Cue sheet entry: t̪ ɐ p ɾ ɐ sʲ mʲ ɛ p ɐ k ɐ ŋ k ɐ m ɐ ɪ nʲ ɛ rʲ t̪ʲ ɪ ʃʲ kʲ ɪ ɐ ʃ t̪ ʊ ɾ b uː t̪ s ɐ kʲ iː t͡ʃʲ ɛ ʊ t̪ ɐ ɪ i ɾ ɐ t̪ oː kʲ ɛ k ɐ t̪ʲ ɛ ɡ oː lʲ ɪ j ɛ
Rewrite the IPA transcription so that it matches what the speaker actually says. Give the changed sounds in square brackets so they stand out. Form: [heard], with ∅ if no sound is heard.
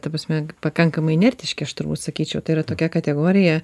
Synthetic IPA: t̪ ɐ p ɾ ɐ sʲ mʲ ɛ p ɐ k ɐ ŋ k ɐ m ɐ ɪ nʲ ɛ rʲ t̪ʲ ɪ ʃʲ kʲ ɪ ɐ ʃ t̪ ʊ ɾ b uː t̪ s ɐ kʲ iː t͡ʃʲ ɛ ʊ t̪ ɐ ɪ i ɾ ɐ t̪ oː kʲ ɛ k ɐ t̪ʲ ɛ ɡ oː [ɾʲ] ɪ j ɛ